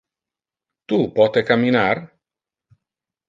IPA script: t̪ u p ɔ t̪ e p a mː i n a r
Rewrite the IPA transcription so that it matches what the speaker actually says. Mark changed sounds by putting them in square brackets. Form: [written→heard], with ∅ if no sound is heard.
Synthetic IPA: t̪ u p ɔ t̪ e [p→k] a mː i n a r